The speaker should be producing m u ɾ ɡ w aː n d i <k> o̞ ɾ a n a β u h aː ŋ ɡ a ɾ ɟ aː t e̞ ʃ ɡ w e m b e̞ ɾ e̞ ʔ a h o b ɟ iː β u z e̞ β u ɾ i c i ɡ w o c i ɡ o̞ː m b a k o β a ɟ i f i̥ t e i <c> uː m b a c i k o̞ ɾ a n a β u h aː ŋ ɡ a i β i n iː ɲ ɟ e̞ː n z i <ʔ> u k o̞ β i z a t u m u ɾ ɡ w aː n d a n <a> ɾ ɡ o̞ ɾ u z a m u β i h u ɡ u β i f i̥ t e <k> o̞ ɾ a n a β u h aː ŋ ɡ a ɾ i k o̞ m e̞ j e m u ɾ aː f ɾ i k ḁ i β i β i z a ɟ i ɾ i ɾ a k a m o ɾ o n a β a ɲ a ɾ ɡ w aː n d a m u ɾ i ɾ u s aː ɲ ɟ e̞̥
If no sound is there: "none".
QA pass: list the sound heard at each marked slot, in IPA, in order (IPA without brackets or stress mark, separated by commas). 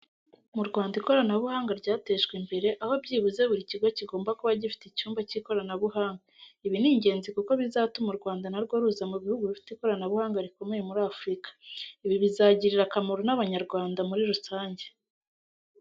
k, c, k, a, k